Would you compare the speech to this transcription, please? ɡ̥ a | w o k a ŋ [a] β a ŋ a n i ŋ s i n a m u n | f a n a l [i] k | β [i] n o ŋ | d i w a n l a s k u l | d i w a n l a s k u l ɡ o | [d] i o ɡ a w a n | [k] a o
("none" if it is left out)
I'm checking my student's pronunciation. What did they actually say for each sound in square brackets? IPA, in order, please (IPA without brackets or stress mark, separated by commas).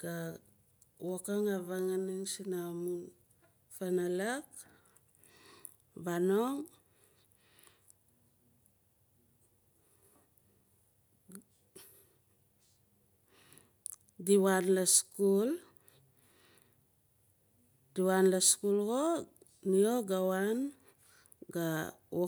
a, a, a, n, ɡ